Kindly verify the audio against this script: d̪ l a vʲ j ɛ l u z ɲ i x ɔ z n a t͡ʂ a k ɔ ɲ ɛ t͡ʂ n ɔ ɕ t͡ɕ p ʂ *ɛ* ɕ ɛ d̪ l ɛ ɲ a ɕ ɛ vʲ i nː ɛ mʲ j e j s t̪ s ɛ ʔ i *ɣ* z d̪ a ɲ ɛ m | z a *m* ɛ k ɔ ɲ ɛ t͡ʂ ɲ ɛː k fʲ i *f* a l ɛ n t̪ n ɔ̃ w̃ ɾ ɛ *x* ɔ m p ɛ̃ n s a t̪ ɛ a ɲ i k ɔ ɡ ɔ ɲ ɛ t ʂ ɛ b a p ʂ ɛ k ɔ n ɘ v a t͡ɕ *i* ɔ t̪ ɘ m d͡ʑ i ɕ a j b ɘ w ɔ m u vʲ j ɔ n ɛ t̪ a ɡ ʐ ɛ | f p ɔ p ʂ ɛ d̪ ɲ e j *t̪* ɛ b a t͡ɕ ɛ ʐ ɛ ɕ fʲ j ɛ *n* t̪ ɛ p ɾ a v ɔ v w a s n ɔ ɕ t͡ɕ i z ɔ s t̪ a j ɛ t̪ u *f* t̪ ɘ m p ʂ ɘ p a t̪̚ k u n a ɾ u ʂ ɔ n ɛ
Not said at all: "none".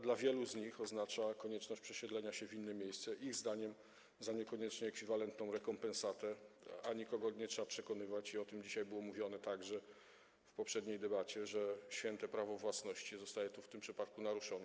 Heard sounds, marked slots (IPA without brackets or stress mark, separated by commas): ɛ, ɣ, ɲ, v, k, i, d̪, n, f